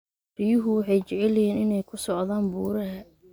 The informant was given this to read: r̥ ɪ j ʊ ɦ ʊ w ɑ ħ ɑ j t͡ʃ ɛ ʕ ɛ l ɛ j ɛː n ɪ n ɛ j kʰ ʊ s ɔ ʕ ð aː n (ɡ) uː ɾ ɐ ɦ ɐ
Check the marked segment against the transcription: incorrect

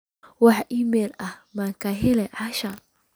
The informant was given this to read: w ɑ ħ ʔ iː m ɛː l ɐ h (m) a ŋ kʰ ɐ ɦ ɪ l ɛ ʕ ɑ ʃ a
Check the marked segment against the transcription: correct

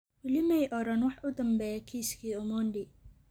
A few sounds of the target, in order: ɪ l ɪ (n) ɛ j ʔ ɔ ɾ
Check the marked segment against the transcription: incorrect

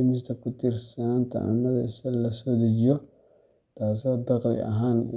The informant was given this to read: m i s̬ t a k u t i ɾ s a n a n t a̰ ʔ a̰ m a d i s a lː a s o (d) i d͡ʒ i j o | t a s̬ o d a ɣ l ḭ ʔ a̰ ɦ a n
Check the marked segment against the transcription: correct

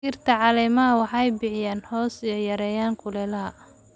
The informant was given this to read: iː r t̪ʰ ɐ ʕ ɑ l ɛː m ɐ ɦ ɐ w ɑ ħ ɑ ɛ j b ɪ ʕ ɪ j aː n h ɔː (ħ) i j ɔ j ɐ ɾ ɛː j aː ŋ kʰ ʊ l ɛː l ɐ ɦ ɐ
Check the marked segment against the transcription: incorrect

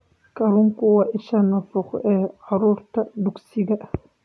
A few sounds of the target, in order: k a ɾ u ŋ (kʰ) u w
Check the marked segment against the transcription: incorrect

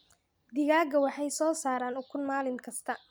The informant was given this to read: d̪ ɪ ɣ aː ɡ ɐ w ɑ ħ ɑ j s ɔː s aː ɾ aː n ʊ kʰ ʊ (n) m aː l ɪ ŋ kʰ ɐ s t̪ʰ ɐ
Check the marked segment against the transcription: correct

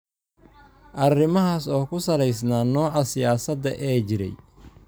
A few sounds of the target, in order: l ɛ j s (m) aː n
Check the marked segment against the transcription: incorrect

